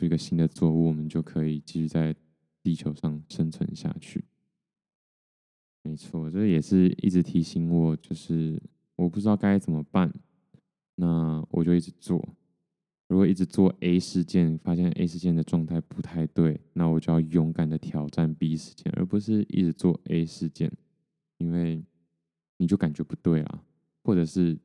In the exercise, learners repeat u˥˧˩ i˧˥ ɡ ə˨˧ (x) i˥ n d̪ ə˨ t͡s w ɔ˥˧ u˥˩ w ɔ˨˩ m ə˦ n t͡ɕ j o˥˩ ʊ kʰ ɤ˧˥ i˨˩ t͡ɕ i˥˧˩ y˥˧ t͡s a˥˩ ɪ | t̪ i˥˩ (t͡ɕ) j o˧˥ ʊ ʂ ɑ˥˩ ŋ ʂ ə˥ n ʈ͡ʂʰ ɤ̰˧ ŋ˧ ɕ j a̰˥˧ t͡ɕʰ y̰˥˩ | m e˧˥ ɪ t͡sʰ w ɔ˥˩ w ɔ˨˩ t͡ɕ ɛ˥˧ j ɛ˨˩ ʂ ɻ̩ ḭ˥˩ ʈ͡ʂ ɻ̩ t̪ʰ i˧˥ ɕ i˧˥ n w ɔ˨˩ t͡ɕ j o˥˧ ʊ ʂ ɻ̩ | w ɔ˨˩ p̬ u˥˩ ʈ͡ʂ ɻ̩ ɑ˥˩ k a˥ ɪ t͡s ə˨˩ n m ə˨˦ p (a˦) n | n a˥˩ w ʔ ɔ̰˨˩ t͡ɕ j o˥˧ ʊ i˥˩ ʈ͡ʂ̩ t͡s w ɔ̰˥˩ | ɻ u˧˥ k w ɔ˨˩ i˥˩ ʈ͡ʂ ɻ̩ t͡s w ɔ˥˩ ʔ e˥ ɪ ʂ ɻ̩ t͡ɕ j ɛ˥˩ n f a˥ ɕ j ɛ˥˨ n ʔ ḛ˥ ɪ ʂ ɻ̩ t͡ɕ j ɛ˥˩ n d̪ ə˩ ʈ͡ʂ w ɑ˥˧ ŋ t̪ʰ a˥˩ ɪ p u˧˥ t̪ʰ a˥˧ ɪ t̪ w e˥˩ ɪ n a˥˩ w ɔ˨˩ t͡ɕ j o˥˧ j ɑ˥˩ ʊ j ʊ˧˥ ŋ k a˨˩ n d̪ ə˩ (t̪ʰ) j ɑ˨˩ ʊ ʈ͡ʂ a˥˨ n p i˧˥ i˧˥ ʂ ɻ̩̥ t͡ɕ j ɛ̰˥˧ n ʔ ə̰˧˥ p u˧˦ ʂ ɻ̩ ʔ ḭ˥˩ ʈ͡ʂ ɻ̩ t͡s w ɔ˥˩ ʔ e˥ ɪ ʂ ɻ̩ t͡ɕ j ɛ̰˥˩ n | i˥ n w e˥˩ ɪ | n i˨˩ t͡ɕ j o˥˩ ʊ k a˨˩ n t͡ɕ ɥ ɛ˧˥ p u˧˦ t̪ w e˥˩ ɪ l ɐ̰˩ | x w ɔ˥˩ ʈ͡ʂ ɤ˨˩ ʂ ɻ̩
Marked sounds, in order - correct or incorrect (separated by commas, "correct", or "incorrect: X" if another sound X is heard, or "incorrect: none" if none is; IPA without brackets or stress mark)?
incorrect: ɕ, incorrect: t͡ɕʰ, incorrect: a˥˩, correct